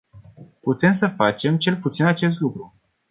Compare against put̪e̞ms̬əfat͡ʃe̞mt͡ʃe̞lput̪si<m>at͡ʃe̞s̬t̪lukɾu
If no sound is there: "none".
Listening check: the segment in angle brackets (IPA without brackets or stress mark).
n